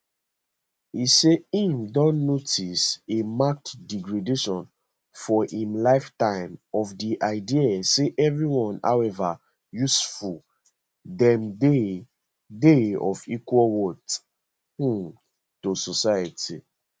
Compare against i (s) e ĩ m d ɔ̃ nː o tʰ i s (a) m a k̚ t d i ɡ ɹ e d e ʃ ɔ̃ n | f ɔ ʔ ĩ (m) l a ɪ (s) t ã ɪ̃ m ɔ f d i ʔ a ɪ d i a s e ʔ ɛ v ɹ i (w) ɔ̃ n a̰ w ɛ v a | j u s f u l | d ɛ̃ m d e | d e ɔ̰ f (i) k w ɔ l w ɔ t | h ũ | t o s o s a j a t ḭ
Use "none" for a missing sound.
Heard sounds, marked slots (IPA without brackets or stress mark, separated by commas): s, e, m, f, w, i